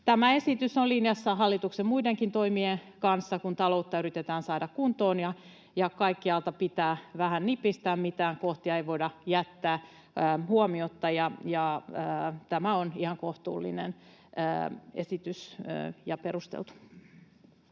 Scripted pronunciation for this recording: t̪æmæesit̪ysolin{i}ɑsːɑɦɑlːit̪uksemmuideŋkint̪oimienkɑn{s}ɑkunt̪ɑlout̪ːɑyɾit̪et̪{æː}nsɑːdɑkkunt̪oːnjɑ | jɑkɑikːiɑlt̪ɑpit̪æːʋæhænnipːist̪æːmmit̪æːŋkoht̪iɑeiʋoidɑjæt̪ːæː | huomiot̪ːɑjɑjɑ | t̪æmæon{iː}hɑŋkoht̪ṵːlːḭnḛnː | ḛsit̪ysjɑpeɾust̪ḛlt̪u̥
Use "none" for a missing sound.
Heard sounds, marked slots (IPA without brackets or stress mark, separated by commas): j, sː, æː, i